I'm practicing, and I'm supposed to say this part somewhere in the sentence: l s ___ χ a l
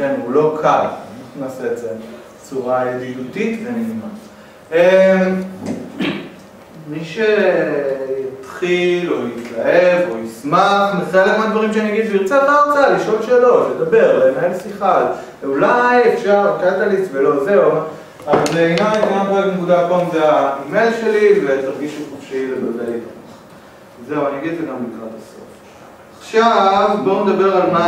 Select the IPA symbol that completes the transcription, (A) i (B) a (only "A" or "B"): A